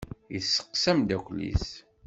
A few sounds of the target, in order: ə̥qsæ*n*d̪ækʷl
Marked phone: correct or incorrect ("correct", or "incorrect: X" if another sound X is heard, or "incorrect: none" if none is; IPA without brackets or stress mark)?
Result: incorrect: m